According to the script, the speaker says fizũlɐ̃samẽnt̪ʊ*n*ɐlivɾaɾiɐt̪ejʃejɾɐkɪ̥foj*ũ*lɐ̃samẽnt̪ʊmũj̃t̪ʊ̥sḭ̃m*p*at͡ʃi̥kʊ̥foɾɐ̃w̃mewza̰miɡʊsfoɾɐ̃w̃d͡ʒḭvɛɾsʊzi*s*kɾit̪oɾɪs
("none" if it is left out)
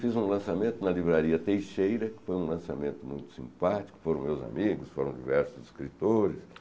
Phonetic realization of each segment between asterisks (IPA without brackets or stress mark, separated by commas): n, ũ, p, s